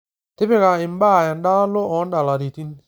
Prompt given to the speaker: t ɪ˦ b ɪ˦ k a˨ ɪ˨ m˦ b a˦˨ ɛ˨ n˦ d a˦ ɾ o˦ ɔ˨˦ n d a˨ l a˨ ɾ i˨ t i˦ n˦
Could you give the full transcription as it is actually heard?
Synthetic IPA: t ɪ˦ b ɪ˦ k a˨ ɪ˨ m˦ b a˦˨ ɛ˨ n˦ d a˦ l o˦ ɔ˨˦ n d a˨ l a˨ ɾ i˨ t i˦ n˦